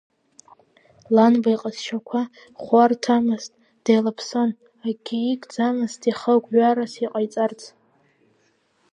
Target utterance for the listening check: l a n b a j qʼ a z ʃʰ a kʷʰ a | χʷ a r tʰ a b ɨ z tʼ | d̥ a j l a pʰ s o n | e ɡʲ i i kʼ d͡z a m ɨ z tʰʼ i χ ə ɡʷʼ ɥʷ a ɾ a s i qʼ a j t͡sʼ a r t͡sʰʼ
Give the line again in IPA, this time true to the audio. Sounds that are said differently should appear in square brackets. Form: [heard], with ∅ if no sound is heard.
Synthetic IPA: l a n b a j qʼ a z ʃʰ a kʷʰ a | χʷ a r tʰ a [m] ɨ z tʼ | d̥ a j l a pʰ s o n | [a] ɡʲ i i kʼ d͡z a m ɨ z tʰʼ i χ ə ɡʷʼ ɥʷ a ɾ a s i qʼ a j t͡sʼ a r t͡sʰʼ